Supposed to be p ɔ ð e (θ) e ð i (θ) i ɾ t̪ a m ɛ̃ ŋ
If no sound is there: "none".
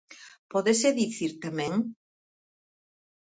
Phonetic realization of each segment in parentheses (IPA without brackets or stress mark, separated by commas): s, θ